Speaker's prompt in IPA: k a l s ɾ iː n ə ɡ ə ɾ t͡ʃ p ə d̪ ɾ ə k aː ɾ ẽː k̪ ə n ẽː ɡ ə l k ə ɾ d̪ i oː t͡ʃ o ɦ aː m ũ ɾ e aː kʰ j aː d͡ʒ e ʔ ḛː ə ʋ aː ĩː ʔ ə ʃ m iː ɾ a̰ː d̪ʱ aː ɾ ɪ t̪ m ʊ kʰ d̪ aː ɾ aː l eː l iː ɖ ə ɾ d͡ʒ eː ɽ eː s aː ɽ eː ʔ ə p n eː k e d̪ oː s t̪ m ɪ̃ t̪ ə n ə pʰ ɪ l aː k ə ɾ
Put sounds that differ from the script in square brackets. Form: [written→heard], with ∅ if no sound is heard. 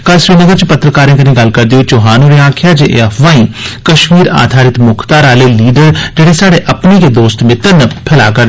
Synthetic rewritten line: k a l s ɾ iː n ə ɡ ə ɾ t͡ʃ p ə [d̪→t̪] ɾ ə k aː ɾ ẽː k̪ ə n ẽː ɡ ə l k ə ɾ d̪ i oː t͡ʃ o ɦ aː [m→n] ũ ɾ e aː kʰ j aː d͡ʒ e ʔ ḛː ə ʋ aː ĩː [ʔ→k] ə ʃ m iː ɾ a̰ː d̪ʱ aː ɾ ɪ t̪ m ʊ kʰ [d̪→t̪] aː ɾ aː l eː l iː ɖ ə ɾ d͡ʒ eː ɽ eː s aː ɽ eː ʔ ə p n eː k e d̪ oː s t̪ m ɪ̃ t̪ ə n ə pʰ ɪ l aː k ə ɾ